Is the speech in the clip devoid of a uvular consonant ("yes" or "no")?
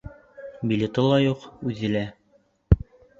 no